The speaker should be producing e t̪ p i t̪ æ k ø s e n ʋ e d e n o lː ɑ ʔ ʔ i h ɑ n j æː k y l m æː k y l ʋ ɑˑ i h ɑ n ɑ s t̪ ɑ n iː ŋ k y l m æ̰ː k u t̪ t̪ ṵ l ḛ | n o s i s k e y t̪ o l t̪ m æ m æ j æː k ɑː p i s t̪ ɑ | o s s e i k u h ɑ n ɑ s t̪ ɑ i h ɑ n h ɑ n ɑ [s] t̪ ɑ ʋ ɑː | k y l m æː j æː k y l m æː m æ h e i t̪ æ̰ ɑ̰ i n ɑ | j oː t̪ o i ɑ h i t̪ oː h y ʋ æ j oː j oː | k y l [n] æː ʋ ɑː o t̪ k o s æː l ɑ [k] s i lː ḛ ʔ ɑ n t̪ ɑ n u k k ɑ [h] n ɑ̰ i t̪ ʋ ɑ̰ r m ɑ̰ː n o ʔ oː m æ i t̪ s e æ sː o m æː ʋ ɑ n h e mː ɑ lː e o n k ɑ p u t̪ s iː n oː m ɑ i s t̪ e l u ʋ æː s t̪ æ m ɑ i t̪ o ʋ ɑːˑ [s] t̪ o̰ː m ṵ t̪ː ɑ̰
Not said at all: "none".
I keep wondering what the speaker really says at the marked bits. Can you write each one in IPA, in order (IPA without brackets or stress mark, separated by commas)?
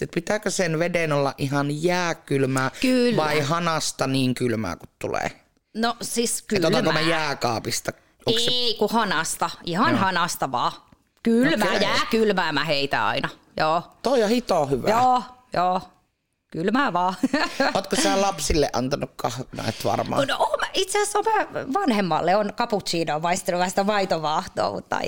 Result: s, m, p, h, h